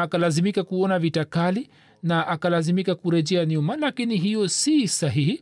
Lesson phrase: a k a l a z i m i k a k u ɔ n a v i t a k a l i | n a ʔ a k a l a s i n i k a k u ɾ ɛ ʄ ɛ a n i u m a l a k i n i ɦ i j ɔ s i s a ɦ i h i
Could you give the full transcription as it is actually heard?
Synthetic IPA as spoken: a k a l a z i m i k a k u ɔ n a v i t a k a l i | n a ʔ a k a l a z i m i k a k u ɾ ɛ ʄ ɛ a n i u m a l a k i n i ɦ i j ɔ s i s a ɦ i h i